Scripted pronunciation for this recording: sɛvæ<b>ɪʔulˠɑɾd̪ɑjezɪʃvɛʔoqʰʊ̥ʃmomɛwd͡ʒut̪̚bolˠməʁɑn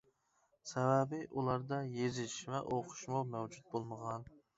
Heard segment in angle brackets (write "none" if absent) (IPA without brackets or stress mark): b